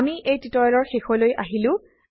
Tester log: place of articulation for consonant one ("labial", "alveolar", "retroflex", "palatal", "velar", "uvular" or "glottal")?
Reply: labial